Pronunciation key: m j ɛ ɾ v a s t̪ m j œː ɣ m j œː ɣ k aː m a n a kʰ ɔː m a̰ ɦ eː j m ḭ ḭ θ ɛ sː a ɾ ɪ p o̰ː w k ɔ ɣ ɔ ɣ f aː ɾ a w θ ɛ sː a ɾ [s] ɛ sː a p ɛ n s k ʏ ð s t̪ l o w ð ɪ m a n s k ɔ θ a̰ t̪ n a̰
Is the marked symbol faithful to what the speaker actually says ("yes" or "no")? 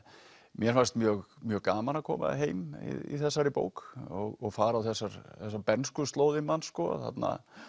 no